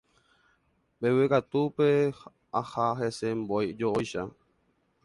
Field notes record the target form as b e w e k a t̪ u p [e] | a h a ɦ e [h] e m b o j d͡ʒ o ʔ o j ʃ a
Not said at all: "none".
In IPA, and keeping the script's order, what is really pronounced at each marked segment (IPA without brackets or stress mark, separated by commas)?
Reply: e, s